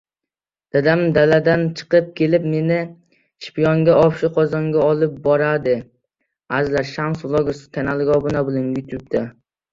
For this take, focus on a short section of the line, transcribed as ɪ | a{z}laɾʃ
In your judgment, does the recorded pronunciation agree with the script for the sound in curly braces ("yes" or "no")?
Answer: yes